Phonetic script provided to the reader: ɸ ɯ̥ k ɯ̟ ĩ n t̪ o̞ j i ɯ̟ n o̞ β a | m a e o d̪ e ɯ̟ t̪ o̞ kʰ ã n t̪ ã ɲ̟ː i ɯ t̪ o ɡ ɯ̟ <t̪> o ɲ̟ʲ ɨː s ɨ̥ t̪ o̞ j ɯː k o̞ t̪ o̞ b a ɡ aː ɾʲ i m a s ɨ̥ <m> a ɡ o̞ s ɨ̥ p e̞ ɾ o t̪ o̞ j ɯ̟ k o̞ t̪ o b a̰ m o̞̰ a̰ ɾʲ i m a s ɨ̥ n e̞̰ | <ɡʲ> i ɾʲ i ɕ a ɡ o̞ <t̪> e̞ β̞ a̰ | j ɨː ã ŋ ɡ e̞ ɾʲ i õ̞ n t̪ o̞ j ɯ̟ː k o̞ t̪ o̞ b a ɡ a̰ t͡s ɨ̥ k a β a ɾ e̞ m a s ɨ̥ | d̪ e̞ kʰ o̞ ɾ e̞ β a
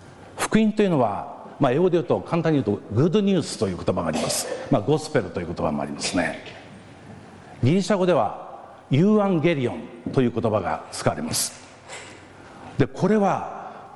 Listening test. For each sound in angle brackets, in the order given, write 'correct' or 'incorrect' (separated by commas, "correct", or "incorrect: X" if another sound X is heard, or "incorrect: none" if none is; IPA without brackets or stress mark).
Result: incorrect: d̪, correct, correct, incorrect: d̪